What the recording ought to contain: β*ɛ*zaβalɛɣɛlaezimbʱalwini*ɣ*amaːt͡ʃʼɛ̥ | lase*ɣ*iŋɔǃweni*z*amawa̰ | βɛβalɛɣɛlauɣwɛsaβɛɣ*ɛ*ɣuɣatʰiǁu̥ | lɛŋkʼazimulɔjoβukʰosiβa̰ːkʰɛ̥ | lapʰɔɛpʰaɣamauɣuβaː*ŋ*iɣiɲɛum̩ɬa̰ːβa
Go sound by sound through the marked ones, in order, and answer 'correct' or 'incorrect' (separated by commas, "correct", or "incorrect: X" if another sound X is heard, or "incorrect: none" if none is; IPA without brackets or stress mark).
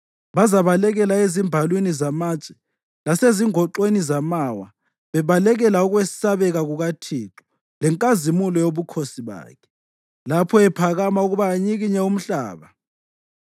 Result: incorrect: a, incorrect: z, incorrect: z, correct, incorrect: a, incorrect: ɲ